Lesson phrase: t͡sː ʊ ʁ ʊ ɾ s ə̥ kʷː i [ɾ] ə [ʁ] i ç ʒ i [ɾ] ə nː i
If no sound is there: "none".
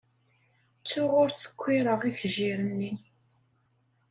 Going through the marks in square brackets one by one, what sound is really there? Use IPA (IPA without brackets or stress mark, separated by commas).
ɾ, ʁ, ɾ